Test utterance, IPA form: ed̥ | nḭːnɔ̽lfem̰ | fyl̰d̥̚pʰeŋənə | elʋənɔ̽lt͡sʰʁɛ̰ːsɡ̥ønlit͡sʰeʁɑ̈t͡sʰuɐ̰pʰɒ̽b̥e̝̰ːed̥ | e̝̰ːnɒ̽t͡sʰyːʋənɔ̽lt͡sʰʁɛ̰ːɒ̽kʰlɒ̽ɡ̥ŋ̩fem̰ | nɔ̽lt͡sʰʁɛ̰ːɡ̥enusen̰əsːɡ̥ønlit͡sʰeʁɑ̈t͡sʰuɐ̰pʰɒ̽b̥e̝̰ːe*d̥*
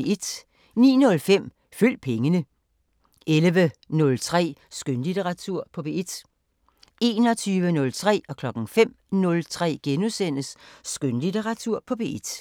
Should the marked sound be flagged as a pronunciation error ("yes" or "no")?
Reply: no